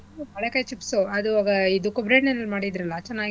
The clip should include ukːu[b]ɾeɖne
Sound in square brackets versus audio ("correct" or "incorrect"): correct